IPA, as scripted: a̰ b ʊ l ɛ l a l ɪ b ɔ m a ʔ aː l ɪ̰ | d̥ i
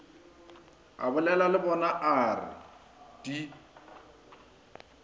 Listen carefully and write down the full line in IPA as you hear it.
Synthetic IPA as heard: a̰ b ʊ l ɛ l a l ɪ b ɔ n a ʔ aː r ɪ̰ | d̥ i